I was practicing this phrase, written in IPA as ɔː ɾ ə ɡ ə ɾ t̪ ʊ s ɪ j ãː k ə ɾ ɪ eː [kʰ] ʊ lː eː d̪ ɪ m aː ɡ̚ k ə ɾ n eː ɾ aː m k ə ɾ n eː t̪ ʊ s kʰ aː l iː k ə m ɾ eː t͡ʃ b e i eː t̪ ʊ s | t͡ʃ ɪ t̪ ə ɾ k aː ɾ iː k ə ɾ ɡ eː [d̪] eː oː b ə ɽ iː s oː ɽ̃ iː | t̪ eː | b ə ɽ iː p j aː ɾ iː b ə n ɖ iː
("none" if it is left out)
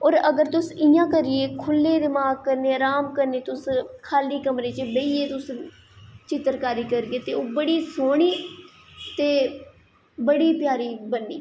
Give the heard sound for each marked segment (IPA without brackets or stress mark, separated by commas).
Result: kʰ, t̪